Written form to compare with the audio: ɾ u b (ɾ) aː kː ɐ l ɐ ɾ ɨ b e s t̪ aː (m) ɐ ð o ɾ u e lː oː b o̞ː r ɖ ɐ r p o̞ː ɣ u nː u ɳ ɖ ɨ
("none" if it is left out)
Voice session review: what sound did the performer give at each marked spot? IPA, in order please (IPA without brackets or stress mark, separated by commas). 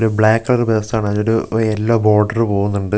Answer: ɭ, ɳ